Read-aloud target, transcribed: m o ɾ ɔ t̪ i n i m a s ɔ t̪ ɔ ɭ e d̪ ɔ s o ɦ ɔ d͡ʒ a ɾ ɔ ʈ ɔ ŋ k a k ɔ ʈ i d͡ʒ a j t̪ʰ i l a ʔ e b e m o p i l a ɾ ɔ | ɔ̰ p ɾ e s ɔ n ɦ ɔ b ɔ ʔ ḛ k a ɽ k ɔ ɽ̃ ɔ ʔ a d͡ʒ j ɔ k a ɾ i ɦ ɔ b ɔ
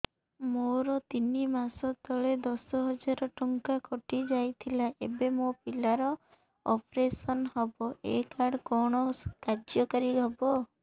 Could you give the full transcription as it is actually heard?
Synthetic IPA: m o ɾ ɔ t̪ i n i m a s ɔ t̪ ɔ ɭ e d̪ ɔ s ɔ ɦ ɔ d͡ʒ a ɾ ɔ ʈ ɔ ŋ k a k ɔ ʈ i d͡ʒ a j t̪ʰ i l a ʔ e b e m o p i l a ɾ ɔ | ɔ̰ p ɾ e s ɔ n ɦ ɔ b ɔ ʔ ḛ k a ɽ k ɔ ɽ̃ ɔ k a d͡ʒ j ɔ k a ɾ i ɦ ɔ b ɔ